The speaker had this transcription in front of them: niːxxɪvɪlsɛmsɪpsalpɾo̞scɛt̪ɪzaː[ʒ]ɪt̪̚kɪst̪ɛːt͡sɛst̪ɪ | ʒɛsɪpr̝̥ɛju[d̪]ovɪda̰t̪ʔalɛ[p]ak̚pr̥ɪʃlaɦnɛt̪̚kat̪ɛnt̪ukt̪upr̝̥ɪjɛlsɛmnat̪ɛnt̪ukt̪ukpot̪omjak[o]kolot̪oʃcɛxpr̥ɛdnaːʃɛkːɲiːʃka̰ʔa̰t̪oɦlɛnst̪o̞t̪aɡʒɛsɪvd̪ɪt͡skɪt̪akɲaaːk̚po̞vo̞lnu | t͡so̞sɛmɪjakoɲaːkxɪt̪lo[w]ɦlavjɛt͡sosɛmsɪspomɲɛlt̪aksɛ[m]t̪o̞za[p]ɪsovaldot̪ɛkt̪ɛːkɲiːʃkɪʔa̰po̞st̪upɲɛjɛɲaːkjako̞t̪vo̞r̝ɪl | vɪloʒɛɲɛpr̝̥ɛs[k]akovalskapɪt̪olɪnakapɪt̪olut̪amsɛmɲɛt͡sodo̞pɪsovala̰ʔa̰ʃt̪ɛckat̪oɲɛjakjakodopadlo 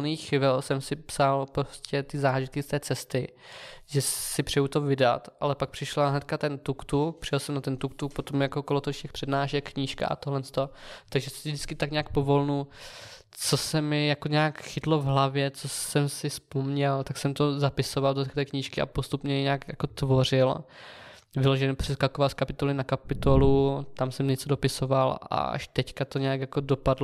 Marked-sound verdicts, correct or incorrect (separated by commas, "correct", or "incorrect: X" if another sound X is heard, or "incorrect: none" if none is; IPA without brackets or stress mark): correct, incorrect: t̪, correct, correct, incorrect: v, correct, correct, correct